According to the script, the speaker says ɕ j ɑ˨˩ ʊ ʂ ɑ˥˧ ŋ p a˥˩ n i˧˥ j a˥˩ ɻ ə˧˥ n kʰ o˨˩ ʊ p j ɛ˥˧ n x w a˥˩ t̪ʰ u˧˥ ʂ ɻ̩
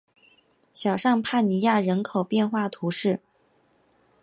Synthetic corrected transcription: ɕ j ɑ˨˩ ʊ ʂ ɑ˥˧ ŋ pʰ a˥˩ n i˧˥ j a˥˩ ɻ ə˧˥ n kʰ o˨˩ ʊ p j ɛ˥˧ n x w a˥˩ t̪ʰ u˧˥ ʂ ɻ̩